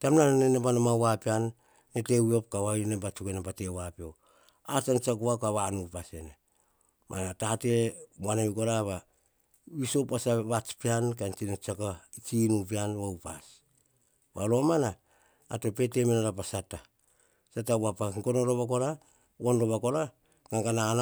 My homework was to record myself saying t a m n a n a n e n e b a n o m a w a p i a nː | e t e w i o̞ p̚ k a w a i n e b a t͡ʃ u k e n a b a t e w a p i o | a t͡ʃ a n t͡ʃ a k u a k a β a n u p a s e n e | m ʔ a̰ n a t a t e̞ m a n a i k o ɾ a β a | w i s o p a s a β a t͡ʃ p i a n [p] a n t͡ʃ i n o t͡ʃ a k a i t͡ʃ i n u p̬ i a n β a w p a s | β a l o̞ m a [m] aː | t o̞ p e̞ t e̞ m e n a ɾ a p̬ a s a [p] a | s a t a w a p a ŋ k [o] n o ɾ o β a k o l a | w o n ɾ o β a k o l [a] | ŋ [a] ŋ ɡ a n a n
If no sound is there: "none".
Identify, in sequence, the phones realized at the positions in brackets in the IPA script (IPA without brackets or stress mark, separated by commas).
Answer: k, n, t, o, a, a